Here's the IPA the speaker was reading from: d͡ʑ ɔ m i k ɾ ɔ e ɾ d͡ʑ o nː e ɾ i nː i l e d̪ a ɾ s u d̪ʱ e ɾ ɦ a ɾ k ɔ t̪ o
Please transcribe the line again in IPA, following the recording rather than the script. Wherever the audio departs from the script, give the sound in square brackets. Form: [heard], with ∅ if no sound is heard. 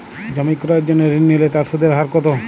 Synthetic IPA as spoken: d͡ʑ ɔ m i k ɾ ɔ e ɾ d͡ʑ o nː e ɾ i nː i l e [t̪] a ɾ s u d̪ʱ e ɾ ɦ a ɾ k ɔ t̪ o